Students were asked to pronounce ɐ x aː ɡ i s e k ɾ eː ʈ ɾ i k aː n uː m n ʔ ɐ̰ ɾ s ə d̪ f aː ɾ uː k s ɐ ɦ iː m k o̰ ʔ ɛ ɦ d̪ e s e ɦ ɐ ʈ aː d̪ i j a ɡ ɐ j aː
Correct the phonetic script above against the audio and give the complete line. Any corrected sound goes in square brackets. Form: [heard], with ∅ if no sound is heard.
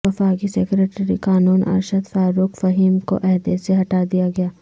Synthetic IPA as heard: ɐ [f] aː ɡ i s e k ɾ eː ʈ ɾ i k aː n uː [∅] n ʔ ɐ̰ ɾ [ʃ] ə d̪ f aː ɾ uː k [f] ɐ ɦ iː m k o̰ ʔ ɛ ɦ d̪ e s e ɦ ɐ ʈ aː d̪ i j a ɡ ɐ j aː